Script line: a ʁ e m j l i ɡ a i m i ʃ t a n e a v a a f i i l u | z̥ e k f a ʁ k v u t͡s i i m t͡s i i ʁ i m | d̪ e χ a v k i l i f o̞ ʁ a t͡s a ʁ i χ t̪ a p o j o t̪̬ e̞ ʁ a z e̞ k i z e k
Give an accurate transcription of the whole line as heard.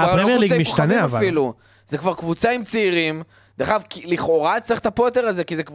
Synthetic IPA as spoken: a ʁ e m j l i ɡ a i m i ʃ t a n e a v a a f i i l u | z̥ e k v a ʁ k v u t͡s a i m t͡s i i ʁ i m | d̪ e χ a v k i l i χ o̞ ʁ a t͡s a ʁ i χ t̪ a p o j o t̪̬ e̞ ʁ a z e̞ k i z e k